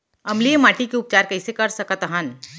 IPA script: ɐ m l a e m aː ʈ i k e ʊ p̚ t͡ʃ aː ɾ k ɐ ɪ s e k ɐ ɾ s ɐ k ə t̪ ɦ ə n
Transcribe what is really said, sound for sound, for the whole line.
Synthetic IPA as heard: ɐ m l i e m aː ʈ i k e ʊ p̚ t͡ʃ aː ɾ k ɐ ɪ s e k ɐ ɾ s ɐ k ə t̪ ɦ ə n